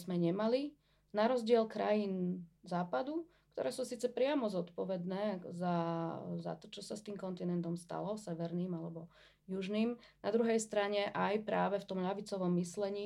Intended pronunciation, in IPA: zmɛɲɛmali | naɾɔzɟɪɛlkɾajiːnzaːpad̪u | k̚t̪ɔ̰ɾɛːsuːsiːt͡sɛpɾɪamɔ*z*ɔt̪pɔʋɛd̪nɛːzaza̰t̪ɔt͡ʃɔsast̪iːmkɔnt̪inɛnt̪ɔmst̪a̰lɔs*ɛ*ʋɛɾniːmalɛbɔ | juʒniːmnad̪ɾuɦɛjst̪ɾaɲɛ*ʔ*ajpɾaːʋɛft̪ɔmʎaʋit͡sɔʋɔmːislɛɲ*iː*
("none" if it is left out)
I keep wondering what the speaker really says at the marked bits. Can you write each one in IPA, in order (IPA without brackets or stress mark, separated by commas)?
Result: z, ɛ, ʔ, iː